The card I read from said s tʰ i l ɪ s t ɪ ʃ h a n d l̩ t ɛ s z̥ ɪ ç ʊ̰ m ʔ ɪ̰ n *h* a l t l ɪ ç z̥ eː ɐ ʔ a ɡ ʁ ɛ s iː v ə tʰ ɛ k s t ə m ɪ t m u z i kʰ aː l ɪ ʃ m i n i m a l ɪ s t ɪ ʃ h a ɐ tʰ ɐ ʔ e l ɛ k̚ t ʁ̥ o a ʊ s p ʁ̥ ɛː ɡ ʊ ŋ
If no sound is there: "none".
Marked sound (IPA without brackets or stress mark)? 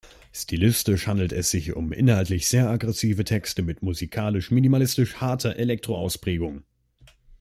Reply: h